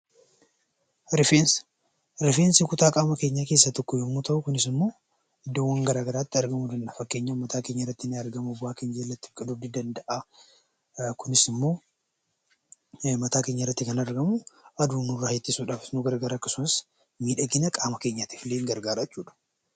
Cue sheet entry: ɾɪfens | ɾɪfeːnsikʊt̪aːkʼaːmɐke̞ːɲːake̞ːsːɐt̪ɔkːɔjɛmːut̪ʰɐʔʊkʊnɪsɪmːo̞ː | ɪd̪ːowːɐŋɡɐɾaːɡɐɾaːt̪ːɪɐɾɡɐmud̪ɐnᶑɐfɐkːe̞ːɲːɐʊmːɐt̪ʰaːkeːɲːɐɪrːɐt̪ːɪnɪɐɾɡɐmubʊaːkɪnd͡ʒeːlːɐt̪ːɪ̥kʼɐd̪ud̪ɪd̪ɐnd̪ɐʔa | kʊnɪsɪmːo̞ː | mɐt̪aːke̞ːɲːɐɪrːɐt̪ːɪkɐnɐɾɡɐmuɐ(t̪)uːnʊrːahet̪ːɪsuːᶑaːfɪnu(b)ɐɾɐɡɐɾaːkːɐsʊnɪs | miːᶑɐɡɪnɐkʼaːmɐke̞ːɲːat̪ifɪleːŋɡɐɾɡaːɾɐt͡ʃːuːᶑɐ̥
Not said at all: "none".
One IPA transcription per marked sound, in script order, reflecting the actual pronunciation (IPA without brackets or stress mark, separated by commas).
d̪, ɡ